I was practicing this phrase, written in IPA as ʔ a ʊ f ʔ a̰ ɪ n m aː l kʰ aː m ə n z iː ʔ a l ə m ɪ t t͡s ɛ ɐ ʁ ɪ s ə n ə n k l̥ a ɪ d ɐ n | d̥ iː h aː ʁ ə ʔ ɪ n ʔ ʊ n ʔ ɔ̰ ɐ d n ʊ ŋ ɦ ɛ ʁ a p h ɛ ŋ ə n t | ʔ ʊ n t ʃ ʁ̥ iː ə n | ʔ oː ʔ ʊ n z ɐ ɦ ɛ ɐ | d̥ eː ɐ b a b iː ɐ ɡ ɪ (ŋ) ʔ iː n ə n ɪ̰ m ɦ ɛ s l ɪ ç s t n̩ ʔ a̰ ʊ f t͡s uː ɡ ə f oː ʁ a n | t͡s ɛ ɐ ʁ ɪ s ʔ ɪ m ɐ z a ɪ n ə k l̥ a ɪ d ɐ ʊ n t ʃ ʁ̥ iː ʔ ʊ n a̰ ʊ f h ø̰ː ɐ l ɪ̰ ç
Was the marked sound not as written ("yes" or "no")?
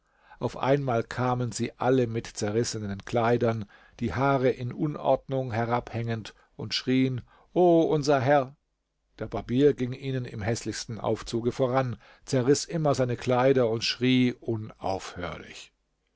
no